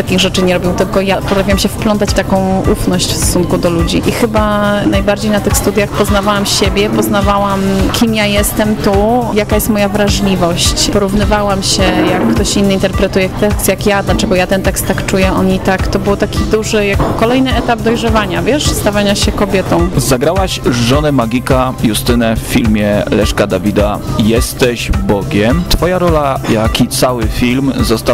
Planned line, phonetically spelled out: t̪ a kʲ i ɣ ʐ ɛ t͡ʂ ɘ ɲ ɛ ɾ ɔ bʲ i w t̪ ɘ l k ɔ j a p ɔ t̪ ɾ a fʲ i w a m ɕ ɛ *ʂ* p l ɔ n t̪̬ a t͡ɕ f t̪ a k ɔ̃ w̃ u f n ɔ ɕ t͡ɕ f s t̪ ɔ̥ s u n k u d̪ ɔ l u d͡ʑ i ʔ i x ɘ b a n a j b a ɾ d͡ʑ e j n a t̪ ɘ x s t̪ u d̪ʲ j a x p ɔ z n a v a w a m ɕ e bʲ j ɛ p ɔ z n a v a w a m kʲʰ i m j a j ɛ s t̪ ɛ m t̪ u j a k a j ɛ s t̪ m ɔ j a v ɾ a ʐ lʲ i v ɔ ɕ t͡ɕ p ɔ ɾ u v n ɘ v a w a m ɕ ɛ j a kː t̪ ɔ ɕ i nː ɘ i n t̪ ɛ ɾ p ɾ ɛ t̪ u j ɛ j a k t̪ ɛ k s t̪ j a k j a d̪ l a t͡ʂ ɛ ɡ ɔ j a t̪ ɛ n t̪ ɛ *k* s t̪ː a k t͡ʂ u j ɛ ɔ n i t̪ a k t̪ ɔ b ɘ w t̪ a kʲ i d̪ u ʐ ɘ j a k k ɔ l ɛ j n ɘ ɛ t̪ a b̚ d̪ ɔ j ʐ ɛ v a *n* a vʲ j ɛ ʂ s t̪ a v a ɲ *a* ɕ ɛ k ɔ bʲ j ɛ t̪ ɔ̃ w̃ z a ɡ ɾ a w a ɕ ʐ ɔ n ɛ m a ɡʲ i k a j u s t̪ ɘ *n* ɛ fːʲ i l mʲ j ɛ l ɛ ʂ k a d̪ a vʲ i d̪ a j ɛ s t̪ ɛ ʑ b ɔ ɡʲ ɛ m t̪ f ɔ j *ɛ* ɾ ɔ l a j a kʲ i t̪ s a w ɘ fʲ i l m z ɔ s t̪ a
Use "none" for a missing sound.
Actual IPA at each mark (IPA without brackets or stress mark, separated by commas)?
f, k, ɲ, a, n, a